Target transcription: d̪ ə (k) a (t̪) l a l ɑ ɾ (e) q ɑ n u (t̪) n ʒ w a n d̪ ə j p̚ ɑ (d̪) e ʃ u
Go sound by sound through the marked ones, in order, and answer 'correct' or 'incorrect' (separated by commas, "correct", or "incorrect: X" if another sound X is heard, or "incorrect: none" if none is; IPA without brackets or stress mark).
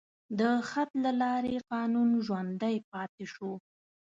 incorrect: x, correct, correct, incorrect: none, incorrect: t̪